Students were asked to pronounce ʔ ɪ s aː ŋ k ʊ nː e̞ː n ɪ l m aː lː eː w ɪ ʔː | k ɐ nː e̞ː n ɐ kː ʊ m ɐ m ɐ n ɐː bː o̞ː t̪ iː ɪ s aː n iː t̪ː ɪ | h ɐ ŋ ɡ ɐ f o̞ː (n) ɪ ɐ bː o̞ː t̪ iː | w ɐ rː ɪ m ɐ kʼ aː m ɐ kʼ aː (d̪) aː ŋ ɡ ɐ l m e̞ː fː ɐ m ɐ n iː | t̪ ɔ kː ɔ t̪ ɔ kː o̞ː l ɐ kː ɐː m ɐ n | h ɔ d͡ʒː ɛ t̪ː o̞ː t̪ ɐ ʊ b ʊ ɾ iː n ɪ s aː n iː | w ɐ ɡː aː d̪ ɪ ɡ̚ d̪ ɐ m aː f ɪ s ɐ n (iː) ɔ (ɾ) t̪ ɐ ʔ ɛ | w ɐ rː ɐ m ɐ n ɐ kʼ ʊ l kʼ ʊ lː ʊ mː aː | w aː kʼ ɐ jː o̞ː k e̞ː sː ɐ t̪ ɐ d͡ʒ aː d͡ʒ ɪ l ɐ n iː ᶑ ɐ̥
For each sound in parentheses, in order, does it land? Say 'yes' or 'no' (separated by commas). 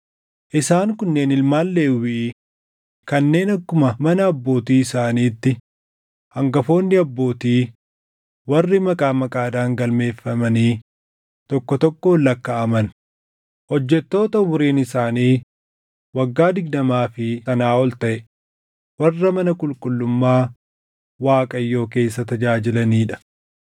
no, yes, no, no